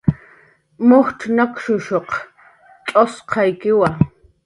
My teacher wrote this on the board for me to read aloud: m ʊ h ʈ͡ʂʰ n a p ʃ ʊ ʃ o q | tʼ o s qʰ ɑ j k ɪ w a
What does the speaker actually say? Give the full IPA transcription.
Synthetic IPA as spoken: m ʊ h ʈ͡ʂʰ n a k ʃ ʊ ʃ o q | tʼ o s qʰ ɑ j k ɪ w a